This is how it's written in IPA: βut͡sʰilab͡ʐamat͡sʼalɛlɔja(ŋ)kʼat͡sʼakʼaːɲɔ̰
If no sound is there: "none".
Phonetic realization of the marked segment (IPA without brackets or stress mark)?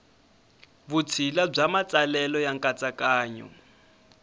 ŋ